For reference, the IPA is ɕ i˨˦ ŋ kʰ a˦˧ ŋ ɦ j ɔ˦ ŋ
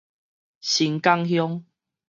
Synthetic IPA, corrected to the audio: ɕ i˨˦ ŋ k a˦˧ ŋ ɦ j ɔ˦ ŋ